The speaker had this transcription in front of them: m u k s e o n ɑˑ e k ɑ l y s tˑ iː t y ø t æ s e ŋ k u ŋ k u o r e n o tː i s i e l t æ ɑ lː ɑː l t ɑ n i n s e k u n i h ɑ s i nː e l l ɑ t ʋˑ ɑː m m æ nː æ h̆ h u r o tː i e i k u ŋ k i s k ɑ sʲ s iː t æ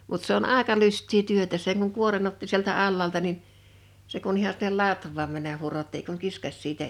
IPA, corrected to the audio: m u t s e o n ɑˑ e k ɑ l y s tˑ iː t y ø t æ s e ŋ k u ŋ k u o r e n o tː i s i e l t æ ɑ lː ɑː l t ɑ n i n s e k u n i h ɑ s i nː e l l ɑ t ʋˑ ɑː m m æ nː æ h̆ h u r o tː i e i k u ŋ k i s k ɑ sʲ s iː t æ